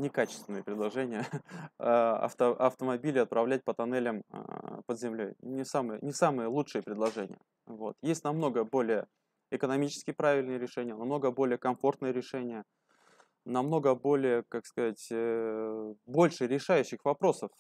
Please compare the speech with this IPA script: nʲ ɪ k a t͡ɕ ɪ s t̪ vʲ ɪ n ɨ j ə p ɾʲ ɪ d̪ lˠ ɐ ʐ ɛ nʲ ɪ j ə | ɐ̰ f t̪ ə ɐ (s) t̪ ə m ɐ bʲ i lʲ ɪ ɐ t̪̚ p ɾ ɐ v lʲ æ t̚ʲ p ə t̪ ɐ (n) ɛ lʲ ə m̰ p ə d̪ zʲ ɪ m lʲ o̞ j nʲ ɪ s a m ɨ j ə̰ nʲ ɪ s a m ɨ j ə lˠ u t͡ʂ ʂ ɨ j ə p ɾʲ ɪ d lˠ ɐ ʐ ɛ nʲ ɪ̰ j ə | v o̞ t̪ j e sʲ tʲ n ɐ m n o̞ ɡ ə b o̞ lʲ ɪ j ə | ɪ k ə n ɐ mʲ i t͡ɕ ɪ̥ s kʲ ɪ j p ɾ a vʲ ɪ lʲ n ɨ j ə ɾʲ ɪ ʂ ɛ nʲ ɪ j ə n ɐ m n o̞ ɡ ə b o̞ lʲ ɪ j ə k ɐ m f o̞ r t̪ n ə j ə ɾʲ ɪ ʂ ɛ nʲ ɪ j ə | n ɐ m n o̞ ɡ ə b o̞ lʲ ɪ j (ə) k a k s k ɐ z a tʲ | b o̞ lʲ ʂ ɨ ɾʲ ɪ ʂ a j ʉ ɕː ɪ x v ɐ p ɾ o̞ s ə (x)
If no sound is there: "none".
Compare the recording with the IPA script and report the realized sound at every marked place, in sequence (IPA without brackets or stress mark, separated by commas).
f, n, ə, f